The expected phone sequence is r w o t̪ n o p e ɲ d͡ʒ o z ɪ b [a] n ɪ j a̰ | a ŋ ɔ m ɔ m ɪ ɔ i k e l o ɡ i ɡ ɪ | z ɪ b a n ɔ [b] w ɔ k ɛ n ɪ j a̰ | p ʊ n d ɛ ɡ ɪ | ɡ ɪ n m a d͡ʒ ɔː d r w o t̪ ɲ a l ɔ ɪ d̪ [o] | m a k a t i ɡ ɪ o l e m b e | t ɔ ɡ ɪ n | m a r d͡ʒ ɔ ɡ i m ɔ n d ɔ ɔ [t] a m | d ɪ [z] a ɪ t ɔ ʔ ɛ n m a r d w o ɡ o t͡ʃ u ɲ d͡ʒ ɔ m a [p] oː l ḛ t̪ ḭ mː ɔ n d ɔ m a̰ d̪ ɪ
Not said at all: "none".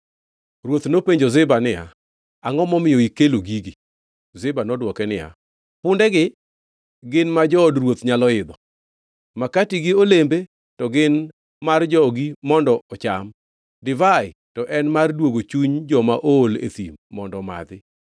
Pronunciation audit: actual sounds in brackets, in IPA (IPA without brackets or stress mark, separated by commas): a, d, ɔ, t͡ʃ, v, ʔ